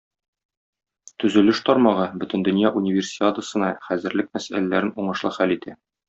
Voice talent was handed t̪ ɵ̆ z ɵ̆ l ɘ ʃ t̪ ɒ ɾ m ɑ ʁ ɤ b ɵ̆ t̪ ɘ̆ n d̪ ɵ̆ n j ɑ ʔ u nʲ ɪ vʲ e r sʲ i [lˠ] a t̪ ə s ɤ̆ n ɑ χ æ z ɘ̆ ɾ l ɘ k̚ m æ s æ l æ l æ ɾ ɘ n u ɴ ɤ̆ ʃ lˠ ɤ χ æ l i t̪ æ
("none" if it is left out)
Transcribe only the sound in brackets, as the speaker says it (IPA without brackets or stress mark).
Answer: none